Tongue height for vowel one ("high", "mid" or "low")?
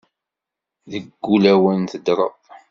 mid